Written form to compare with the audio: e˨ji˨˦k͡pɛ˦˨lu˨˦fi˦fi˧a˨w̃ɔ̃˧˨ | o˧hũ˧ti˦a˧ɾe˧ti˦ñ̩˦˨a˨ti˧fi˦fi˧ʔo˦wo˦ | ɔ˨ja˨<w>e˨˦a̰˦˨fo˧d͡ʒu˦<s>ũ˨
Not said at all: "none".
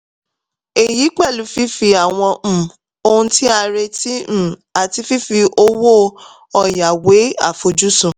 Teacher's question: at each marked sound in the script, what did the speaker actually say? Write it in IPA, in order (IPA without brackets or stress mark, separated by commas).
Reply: w, s